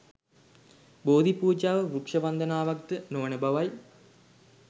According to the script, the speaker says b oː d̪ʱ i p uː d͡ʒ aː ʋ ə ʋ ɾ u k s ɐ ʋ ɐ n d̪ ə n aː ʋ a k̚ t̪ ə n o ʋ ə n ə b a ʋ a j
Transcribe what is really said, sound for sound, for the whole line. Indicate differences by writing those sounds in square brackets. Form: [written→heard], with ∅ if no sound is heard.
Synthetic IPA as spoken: b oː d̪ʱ i p uː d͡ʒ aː ʋ ə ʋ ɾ u k [s→ʂ] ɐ ʋ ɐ n d̪ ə n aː ʋ a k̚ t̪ ə n o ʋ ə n ə b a ʋ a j